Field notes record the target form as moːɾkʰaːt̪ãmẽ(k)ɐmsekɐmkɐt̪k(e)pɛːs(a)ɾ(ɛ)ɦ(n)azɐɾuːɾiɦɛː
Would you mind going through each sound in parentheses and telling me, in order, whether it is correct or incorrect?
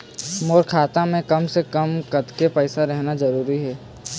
correct, correct, correct, correct, correct

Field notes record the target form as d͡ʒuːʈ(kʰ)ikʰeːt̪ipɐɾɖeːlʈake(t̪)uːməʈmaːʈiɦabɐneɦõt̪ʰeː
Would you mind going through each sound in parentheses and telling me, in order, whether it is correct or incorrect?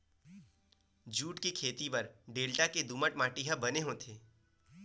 incorrect: k, incorrect: d̪

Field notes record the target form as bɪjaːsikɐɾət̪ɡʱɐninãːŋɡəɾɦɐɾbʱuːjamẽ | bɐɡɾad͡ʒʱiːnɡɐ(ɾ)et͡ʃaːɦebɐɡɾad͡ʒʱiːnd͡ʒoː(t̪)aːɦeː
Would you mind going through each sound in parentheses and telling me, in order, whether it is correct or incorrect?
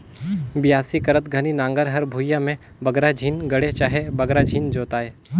incorrect: ɽ, correct

